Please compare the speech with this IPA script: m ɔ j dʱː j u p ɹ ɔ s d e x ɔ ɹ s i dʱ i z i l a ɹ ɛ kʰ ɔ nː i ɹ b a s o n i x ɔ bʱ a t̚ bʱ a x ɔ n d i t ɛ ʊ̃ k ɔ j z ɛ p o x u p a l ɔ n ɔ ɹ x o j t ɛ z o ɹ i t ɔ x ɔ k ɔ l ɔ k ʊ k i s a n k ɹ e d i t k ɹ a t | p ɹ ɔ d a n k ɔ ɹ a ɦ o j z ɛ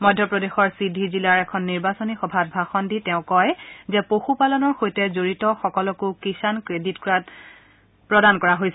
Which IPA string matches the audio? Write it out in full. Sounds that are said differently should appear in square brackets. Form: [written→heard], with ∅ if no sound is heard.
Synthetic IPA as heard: m ɔ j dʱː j [u→ɔ] p ɹ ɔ [s→∅] d e x ɔ ɹ s i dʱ i z i l a ɹ ɛ kʰ ɔ nː i ɹ b a s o n i x ɔ bʱ a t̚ bʱ a x ɔ n d i t ɛ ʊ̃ k ɔ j z ɛ p o x u p a l ɔ n ɔ ɹ x o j t ɛ z o ɹ i t ɔ x ɔ k ɔ l ɔ k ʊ k i s a n k ɹ e d i t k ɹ a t | p ɹ ɔ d a n k ɔ ɹ a ɦ o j [z→s] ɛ